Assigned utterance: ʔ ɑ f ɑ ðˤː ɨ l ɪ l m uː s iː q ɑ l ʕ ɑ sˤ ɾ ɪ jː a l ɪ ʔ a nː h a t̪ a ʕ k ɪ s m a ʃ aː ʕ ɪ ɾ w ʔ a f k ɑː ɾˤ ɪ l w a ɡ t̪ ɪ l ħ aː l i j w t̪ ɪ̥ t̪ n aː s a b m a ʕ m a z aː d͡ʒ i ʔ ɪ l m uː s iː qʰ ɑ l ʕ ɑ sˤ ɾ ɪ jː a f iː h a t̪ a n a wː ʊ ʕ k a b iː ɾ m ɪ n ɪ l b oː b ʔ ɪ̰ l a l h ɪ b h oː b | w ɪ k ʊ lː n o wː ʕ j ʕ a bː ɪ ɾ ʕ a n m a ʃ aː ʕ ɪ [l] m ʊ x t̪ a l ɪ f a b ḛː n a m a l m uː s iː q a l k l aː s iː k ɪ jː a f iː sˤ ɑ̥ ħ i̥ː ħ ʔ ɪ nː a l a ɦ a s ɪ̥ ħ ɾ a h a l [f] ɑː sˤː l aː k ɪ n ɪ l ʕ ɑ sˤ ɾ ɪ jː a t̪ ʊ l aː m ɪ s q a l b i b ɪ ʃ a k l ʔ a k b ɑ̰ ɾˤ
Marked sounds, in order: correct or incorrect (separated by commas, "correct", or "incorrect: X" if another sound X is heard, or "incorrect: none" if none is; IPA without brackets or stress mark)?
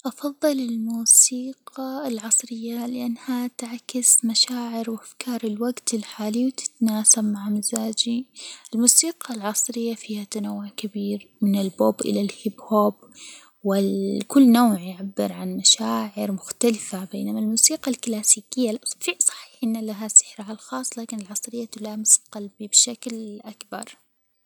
incorrect: ɾ, incorrect: x